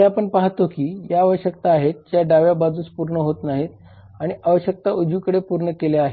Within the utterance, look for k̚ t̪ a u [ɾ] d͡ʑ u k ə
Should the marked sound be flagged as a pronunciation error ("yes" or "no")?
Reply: yes